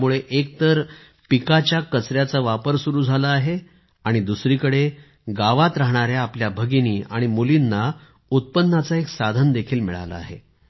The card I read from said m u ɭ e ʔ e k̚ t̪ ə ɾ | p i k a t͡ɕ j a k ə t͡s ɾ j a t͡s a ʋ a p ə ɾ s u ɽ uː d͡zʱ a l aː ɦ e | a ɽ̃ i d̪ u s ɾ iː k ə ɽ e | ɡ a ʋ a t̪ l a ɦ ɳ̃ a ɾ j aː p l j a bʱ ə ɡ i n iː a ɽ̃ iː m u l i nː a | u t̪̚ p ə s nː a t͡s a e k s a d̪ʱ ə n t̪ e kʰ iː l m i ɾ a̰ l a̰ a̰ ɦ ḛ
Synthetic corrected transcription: m u ɭ e ʔ e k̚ t̪ ə ɾ | p i k a t͡ɕ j a k ə t͡s ɾ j a t͡s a ʋ a p ə ɾ s u ɾ uː d͡zʱ a l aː ɦ e | a ɽ̃ i d̪ u s ɾ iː k ə ɽ e | ɡ a ʋ a t̪ ɾ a ɦ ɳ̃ a ɾ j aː p l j a bʱ ə ɡ i n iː a ɽ̃ i m u l i nː a | u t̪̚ p ə nː a t͡s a e k s a d̪ʱ ə n d̪ e kʰ iː l m i ɭ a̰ l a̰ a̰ ɦ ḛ

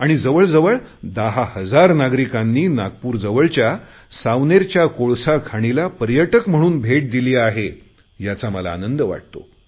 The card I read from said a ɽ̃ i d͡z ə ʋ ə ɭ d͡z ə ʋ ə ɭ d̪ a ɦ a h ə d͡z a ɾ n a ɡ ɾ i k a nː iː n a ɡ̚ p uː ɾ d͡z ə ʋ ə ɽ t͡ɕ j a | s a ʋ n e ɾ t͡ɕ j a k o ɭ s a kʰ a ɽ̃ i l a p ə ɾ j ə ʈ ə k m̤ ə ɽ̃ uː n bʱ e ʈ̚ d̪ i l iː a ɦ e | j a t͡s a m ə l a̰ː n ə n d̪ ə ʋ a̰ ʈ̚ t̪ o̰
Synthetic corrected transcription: a ɽ̃ i d͡z ə ʋ ə ɭ d͡z ə ʋ ə ɭ d̪ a ɦ a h ə d͡z a ɾ n a ɡ ɾ i k a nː iː n a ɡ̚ p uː ɾ d͡z ə ʋ ə ɭ t͡ɕ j a | s a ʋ n e ɾ t͡ɕ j a k o ɭ s a kʰ a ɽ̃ i l a p ə ɾ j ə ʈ ə k m̤ ə ɽ̃ uː n bʱ e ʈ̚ d̪ i l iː a ɦ e | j a t͡s a m ə l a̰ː n ə n d̪ ə ʋ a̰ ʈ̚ t̪ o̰

